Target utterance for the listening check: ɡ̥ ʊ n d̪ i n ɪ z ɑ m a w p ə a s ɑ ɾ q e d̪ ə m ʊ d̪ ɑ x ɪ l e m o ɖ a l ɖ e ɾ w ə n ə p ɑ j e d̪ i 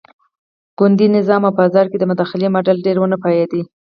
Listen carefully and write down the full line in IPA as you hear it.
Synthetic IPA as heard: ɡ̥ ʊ n d̪ i n ɪ z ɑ m a w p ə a z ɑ ɾ k e d̪ ə m ʊ d̪ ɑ x ɪ l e m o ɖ a l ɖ e ɾ w ə n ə p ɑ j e d̪ i